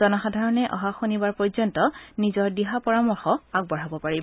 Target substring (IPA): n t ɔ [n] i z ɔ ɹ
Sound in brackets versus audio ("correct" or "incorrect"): correct